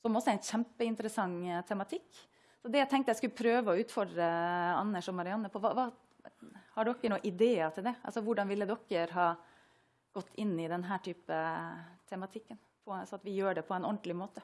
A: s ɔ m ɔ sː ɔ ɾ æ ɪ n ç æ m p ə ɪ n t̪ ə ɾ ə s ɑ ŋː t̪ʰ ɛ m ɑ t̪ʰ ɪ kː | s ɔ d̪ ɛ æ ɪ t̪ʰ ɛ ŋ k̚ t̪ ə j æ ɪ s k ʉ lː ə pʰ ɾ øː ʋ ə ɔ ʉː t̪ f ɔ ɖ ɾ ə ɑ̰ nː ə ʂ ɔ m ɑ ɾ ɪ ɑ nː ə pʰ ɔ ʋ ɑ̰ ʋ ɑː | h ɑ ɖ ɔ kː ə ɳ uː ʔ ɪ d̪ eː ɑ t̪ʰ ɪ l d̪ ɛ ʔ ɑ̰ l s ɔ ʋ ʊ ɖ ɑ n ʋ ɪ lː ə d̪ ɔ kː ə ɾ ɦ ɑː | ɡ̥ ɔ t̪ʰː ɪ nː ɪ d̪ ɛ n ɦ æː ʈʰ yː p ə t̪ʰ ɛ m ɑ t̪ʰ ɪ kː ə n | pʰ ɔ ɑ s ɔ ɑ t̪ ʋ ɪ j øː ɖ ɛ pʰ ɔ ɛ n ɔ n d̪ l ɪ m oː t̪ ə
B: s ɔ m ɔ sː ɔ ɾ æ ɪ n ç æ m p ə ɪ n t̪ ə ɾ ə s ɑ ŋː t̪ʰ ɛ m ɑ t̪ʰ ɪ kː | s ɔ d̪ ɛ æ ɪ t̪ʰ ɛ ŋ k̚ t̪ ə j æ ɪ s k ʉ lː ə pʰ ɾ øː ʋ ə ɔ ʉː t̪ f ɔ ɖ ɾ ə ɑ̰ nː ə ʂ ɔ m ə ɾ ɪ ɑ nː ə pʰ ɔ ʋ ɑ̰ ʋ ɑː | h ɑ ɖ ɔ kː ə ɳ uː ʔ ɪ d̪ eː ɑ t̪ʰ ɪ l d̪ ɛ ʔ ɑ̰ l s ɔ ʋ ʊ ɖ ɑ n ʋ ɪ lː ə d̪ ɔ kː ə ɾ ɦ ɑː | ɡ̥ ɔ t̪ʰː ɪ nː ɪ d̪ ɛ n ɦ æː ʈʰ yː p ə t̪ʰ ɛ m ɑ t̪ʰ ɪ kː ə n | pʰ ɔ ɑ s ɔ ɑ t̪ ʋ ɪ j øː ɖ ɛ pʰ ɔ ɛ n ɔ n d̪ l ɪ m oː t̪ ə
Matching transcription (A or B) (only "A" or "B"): A